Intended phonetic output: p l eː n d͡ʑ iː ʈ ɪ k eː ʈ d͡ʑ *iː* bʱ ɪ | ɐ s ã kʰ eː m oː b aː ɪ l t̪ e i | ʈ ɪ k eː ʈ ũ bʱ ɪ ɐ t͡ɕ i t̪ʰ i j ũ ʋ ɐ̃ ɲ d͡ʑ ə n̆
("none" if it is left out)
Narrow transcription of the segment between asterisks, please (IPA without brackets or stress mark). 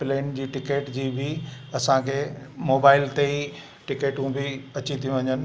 iː